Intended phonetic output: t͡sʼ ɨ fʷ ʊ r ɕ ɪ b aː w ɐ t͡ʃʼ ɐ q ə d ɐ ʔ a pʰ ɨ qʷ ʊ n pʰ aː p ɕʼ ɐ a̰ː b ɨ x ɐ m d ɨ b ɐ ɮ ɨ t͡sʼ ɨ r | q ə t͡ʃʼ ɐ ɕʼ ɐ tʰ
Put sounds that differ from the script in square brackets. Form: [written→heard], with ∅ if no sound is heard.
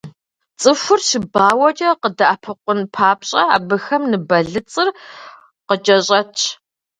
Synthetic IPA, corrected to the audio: t͡sʼ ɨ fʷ ʊ r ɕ ɪ b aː w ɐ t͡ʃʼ ɐ q ə d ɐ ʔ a pʰ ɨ qʷ ʊ n pʰ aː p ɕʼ ɐ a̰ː b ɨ x ɐ m [d→n] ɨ b ɐ ɮ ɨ t͡sʼ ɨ r | q ə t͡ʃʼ ɐ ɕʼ ɐ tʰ